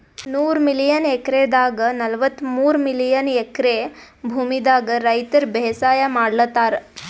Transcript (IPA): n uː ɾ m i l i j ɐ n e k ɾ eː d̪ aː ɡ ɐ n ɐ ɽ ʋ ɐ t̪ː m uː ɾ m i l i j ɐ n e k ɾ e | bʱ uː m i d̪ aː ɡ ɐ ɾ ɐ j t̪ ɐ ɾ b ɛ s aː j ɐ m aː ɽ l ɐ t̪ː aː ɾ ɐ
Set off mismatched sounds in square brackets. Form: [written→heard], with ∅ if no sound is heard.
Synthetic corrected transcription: n uː ɾ m i l i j ɐ n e k ɾ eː d̪ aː ɡ ɐ n ɐ [ɽ→l] ʋ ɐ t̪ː m uː ɾ m i l i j ɐ n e k ɾ e | bʱ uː m i d̪ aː ɡ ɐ ɾ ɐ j t̪ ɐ ɾ b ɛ s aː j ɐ m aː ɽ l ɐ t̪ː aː ɾ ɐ